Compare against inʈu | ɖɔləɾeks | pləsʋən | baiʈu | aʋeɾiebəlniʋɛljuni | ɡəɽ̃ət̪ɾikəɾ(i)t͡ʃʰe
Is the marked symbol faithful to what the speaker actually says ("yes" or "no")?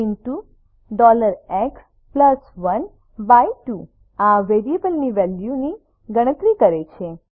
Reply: no